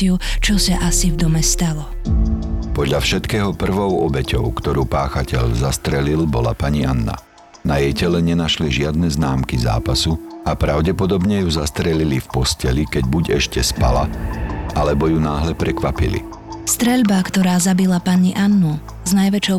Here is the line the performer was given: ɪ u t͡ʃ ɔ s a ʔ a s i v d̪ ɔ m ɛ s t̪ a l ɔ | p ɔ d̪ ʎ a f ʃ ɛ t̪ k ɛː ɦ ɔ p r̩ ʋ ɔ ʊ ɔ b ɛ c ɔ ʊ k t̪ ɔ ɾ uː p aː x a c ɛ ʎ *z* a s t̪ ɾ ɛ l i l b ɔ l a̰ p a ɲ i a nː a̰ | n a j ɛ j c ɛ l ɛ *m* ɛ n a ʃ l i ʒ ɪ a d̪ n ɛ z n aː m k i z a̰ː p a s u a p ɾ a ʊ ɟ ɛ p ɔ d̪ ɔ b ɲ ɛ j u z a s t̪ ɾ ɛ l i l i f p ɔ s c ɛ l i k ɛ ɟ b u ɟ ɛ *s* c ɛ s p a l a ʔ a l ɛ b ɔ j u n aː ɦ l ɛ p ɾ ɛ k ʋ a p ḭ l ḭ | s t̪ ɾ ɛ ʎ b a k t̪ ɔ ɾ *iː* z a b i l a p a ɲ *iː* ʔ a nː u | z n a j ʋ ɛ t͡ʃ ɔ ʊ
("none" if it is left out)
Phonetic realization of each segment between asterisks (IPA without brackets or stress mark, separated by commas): z, ɲ, ʃ, aː, i